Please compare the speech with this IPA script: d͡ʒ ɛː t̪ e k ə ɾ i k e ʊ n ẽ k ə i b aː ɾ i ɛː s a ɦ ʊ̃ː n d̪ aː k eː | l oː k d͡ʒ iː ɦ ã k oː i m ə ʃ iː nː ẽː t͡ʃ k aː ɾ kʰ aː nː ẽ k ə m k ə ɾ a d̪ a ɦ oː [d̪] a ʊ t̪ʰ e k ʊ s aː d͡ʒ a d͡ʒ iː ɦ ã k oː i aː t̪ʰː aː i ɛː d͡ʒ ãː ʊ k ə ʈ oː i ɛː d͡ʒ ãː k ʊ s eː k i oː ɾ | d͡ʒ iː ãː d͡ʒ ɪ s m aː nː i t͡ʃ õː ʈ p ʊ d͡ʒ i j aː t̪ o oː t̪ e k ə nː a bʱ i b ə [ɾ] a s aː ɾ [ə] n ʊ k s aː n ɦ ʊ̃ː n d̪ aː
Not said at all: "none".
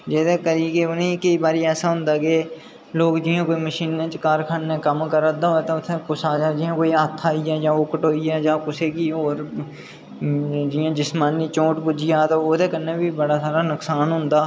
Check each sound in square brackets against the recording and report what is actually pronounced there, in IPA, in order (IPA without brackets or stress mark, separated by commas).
t̪, ɽ, a